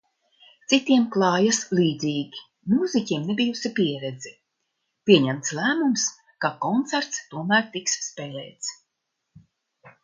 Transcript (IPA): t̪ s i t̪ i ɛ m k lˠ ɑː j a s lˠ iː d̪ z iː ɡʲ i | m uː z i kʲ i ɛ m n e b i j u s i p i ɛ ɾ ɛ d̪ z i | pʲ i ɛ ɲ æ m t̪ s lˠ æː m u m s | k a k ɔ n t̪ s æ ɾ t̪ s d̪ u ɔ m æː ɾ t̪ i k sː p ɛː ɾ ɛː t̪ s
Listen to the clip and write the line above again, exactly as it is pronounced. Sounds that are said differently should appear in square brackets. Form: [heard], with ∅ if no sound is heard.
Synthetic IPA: t̪ s i t̪ i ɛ m k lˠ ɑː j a s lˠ iː d̪ z iː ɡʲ i | m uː z i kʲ i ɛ m n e b i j u s i p i ɛ ɾ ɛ d̪ z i | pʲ i ɛ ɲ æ m t̪ s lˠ æː m u m s | k a k ɔ n t̪ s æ ɾ t̪ s [t̪] u ɔ m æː ɾ t̪ i k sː p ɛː [l] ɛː t̪ s